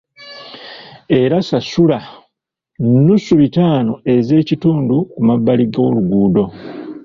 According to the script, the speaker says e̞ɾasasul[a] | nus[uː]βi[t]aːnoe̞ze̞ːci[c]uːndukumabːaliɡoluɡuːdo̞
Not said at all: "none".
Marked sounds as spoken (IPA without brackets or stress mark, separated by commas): a, u, t, t